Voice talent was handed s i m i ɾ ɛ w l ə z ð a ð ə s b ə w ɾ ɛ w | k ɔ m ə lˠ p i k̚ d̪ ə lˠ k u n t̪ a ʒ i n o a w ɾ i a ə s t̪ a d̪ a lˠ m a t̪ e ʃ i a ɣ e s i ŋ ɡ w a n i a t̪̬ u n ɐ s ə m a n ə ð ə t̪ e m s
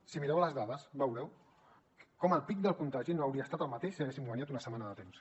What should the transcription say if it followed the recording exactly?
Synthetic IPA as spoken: s i m i ɾ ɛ w l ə z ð a ð ə s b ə w ɾ ɛ w | k ɔ m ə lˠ p i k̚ d̪ ə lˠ k u n t̪ a ʒ i n o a w ɾ i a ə s t̪ a t̪ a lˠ m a t̪ e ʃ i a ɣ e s i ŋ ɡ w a n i a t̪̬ u n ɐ s ə m a n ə ð ə t̪ e m s